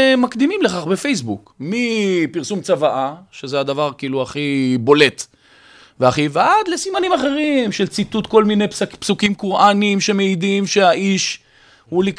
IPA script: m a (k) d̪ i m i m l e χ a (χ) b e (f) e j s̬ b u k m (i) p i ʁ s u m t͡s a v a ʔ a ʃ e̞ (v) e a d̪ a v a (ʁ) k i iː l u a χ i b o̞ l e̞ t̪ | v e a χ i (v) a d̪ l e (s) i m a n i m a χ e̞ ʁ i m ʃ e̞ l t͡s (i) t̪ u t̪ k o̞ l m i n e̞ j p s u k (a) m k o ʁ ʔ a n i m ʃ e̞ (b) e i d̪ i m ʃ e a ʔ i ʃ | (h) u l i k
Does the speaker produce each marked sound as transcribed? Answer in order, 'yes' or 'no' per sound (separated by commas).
yes, yes, yes, yes, no, yes, yes, yes, yes, no, no, yes